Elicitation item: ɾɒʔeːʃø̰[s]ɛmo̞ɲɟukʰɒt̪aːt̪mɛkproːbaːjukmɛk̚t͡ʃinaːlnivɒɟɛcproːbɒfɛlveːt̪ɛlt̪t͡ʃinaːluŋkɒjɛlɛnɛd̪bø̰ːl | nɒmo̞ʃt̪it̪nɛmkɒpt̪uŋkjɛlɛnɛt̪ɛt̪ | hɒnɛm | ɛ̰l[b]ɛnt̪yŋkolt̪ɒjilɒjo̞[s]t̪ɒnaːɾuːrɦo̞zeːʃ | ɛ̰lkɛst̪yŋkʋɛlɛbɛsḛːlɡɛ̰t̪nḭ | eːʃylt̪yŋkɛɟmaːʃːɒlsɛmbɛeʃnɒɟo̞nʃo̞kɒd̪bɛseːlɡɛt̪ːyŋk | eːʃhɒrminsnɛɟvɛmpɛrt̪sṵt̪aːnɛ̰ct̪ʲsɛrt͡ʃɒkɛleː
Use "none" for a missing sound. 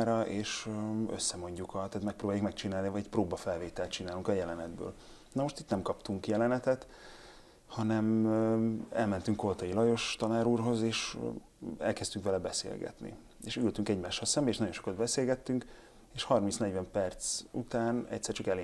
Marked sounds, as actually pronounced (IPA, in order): sː, m, ʃ

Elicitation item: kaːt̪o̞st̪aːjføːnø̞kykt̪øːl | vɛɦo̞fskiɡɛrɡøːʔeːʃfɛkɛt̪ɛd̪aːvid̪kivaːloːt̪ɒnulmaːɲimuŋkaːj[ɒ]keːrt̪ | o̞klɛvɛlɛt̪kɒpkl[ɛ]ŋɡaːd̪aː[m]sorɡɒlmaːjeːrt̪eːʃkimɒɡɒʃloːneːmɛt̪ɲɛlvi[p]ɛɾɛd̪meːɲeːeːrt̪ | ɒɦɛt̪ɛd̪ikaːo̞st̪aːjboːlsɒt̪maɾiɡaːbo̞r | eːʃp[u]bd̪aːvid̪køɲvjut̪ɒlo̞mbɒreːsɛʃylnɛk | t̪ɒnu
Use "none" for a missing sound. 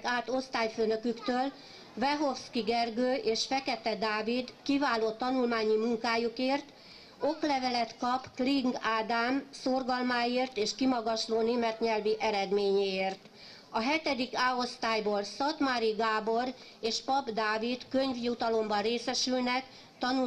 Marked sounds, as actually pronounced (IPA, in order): u, i, m, ʔ, ɒ

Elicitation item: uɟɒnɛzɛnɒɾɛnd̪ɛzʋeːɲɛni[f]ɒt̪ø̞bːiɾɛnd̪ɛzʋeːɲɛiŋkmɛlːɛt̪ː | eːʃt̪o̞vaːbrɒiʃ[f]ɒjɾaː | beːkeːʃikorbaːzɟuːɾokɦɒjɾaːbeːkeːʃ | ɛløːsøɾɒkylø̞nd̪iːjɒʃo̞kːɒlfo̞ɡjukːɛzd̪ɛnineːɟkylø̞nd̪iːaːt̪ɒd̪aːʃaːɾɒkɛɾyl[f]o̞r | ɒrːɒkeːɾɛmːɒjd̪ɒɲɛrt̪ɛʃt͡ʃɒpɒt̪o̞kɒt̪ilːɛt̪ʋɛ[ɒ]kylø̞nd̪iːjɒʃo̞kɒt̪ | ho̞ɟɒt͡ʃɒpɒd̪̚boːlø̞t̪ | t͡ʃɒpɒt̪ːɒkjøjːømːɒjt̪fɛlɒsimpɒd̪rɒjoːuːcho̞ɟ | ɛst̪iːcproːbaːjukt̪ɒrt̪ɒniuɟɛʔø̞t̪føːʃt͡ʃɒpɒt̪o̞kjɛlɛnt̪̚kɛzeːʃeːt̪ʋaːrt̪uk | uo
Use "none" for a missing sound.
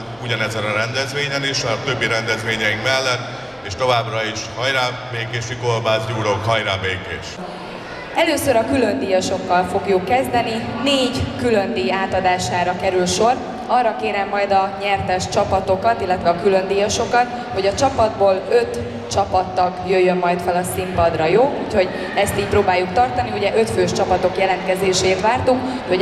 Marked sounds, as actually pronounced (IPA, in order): ʃ, h, ʃ, ɒ

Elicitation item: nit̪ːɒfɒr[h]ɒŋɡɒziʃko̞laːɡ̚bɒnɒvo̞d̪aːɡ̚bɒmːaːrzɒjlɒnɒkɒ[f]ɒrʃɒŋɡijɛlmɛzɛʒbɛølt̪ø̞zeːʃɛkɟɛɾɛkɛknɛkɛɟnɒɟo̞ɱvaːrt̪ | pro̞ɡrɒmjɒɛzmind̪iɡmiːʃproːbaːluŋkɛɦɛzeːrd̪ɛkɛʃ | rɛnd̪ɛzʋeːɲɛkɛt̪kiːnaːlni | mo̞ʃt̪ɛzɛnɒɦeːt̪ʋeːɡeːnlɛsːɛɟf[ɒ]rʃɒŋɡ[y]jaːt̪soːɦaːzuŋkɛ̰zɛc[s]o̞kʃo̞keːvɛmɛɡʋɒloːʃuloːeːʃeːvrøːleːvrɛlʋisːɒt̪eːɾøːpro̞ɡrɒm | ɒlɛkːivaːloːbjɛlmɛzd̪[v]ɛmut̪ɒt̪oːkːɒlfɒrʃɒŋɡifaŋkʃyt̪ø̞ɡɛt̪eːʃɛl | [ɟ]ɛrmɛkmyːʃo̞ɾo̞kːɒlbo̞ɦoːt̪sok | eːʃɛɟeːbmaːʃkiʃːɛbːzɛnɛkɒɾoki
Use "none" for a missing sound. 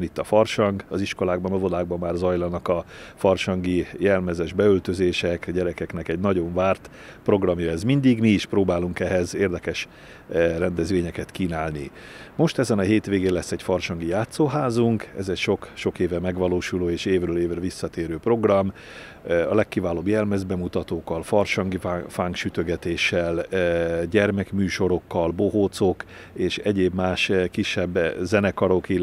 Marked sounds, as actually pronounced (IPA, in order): ʃ, f, ɒ, i, ʃ, b, ɟ

